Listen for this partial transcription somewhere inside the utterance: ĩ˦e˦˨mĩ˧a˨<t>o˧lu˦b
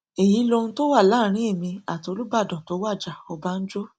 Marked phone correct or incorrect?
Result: correct